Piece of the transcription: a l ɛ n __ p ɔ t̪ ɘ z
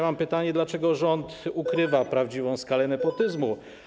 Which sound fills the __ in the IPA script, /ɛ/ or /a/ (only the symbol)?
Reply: ɛ